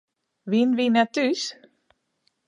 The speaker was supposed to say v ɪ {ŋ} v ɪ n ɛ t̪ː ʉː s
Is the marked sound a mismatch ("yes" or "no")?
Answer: yes